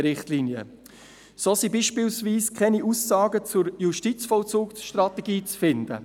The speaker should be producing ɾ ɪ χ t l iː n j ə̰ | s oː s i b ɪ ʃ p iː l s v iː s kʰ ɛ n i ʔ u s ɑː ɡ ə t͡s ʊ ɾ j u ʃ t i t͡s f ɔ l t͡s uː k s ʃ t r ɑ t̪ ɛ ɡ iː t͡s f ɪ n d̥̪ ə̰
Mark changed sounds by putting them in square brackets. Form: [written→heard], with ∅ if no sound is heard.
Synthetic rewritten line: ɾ ɪ χ t l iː n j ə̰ | s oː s i b [ɪ→i] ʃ p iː l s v iː s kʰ ɛ n i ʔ u s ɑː ɡ ə t͡s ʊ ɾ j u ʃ t i t͡s f ɔ l t͡s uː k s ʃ t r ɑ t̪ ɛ ɡ iː t͡s f ɪ n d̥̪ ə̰